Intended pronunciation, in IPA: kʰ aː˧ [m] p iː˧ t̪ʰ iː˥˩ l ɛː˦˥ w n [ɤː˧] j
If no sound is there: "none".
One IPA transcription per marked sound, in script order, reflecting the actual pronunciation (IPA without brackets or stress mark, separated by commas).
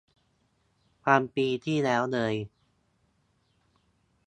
m, ɤː˧